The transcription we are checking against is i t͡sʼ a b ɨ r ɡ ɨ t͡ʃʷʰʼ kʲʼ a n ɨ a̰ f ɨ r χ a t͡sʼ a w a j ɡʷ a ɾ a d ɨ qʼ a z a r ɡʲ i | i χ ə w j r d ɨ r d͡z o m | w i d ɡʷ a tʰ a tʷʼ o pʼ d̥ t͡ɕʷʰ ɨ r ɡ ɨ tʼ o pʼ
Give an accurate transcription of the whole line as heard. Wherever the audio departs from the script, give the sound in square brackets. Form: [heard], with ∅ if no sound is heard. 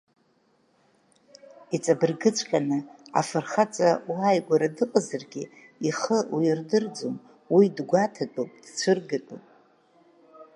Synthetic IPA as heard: i t͡sʼ a b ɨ r ɡ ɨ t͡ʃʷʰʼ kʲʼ a n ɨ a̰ f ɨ r χ a t͡sʼ a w a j ɡʷ a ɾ a d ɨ qʼ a z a r ɡʲ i | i χ ə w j r d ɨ r d͡z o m | w i d ɡʷ a tʰ a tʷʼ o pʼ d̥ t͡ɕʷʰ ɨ r ɡ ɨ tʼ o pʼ

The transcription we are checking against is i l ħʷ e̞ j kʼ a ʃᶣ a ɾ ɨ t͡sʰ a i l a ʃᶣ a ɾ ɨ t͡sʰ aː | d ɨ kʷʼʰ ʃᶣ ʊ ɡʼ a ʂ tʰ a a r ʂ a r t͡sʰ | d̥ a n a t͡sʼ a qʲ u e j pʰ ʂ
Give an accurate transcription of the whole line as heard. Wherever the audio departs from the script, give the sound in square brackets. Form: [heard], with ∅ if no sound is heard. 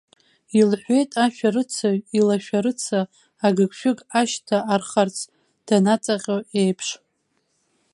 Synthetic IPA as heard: i l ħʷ e̞ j [tʼ] a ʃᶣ a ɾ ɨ t͡sʰ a i l a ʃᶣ a ɾ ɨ t͡sʰ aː | [ɡ] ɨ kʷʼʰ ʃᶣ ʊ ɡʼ a [ʃ] tʰ a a r [χ] a r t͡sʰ | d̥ a n a t͡sʼ a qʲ [o] e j pʰ ʂ

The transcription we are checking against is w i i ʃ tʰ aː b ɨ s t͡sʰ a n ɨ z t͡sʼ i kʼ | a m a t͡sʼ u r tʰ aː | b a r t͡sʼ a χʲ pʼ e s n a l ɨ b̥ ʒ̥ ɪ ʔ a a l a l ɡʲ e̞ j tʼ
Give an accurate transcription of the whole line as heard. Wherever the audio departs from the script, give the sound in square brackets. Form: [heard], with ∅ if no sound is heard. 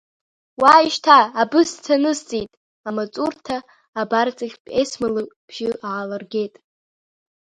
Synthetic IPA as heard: w [a] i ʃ tʰ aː b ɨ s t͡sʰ a n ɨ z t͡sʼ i [tʼ] | a m a t͡sʼ u r tʰ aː | b a r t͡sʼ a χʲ pʼ e s [m] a l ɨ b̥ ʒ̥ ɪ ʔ a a l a [r] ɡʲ e̞ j tʼ

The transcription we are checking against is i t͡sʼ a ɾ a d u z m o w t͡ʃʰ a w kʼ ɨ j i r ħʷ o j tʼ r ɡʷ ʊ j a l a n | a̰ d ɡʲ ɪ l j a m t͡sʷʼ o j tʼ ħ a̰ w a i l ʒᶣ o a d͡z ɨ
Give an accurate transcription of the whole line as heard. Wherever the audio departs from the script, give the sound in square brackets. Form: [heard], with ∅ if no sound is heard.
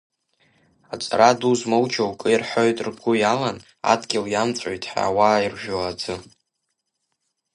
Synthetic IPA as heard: [a] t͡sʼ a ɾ a d u z m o w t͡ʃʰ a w kʼ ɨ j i r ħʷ o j tʼ r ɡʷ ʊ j a l a n | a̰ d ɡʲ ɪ l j a m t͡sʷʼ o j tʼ ħ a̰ w a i [r] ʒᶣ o a d͡z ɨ

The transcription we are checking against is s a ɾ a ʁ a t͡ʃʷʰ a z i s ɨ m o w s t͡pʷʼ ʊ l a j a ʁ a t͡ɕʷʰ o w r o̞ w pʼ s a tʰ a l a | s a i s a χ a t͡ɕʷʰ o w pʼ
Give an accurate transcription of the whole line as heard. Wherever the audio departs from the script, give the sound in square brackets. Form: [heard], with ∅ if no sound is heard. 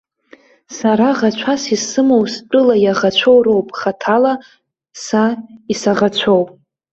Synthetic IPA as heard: s a ɾ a ʁ a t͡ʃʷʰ a [s] i s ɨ m o w s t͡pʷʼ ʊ l a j a ʁ a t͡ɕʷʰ o w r o̞ w pʼ [χ] a tʰ a l a | s a i s a [ʁ] a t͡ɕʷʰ o w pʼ

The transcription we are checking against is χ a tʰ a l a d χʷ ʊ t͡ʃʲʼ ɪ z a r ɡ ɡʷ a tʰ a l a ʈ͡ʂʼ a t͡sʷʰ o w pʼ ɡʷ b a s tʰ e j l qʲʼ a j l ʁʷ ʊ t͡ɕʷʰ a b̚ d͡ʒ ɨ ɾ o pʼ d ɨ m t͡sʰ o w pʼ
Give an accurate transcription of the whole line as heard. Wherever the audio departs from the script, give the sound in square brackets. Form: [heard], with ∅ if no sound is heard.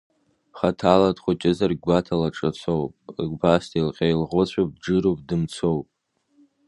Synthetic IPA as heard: χ a tʰ a l a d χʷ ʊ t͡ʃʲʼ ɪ z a r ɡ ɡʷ a tʰ a l a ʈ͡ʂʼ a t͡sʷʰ o w pʼ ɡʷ b a s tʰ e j l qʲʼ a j l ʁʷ ʊ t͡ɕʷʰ a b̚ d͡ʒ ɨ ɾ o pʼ d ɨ m t͡sʰ o w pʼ

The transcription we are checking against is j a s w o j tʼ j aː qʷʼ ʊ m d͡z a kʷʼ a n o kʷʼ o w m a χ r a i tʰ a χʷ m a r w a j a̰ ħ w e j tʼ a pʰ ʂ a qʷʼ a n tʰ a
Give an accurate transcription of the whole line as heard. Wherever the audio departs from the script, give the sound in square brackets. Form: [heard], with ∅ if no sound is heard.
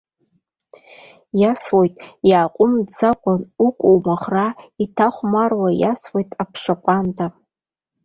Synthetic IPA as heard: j a s w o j tʼ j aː qʷʼ ʊ m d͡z a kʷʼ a n [u] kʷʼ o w m a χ r a i tʰ a χʷ m a r w a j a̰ [s] w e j tʼ a pʰ ʂ a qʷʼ a n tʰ a

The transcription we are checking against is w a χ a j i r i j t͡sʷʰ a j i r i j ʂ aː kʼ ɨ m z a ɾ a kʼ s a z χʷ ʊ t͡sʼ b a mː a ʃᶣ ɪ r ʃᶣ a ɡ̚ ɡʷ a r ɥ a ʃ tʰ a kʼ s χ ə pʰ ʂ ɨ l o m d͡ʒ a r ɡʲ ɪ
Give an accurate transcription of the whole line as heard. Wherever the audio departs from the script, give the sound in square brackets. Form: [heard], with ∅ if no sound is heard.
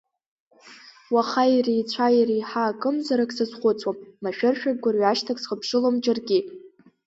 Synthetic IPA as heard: w a χ a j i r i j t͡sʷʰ a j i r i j [ħ] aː kʼ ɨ m z a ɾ a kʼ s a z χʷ ʊ t͡sʼ [w] a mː a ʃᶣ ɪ r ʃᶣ a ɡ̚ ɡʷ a r ɥ a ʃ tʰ a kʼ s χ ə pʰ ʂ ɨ l o m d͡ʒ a r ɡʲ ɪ

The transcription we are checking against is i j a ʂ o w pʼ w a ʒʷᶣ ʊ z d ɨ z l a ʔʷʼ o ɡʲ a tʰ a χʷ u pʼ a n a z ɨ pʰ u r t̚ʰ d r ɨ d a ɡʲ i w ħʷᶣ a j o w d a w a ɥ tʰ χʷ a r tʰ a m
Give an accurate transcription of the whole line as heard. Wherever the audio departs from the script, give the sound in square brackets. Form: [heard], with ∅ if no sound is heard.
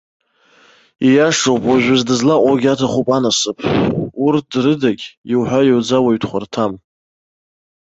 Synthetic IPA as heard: i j a ʂ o w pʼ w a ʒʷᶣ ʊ z d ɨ z l a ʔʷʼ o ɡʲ a tʰ a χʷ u pʼ a n a [s] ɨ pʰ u r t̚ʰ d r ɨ d a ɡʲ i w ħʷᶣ a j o w [d͡z] a w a ɥ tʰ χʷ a r tʰ a m

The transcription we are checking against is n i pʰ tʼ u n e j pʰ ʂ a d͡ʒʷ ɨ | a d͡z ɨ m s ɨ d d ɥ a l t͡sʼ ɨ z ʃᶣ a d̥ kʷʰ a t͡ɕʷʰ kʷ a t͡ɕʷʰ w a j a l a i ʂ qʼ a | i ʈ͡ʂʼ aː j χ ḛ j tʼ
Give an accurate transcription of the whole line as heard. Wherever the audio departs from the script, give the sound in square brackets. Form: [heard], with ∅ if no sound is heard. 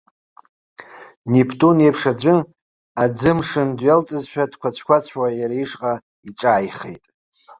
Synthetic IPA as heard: n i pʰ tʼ u n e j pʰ ʂ a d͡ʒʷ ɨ | a d͡z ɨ m [ʂ] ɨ [n] d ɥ a l t͡sʼ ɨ z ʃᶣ a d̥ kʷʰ a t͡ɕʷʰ kʷ a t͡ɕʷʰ w a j a [ɾ] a i ʂ qʼ a | i ʈ͡ʂʼ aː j χ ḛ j tʼ

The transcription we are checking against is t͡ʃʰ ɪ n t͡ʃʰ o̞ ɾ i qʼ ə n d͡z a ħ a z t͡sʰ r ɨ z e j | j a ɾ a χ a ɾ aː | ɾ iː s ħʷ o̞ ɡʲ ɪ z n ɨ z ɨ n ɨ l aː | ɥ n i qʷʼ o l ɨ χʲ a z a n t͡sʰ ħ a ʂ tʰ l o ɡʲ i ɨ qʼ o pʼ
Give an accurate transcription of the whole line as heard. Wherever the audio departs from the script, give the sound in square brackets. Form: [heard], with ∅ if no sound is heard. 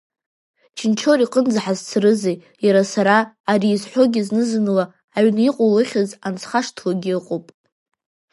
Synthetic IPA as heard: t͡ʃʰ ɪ n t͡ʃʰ o̞ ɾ i qʼ ə n d͡z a ħ a z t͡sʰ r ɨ z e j | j a ɾ a [s] a ɾ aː | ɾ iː [z] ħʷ o̞ ɡʲ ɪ z n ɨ z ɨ n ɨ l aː | ɥ n i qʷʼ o l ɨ χʲ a z a n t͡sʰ [χ] a ʂ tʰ l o ɡʲ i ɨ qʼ o pʼ

